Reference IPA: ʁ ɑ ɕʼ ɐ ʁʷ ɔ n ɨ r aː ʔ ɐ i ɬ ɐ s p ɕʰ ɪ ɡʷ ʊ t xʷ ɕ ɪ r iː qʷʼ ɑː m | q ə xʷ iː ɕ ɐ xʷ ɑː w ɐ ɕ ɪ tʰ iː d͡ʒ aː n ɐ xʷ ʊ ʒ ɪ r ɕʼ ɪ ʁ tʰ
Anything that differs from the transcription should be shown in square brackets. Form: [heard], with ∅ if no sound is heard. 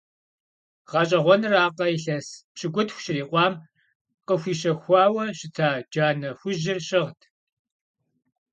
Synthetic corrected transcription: ʁ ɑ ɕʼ ɐ ʁʷ ɔ n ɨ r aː [q] ɐ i ɬ ɐ s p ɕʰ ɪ ɡʷ ʊ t xʷ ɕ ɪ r iː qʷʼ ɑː m | q ə xʷ iː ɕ ɐ xʷ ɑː w ɐ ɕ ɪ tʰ [aː] d͡ʒ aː n ɐ xʷ ʊ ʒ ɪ r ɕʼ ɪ ʁ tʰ